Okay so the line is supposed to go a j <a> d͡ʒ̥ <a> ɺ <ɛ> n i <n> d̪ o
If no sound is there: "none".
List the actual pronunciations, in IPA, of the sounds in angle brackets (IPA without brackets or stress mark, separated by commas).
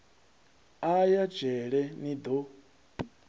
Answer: a, ɛ, ɛ, none